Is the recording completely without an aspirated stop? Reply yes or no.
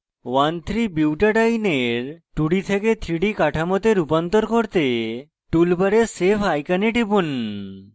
no